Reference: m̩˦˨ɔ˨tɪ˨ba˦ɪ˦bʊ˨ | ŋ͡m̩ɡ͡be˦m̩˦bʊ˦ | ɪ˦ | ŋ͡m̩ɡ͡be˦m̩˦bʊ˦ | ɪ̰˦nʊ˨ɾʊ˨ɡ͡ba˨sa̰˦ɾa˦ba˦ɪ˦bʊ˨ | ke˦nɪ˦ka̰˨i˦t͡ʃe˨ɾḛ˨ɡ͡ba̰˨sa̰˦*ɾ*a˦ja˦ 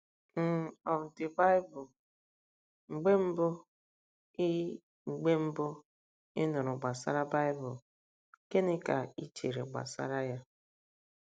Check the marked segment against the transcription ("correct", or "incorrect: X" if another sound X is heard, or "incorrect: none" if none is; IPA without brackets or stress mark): correct